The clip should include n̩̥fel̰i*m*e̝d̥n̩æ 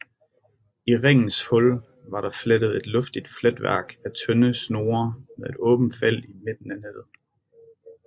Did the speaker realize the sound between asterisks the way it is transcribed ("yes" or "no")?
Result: yes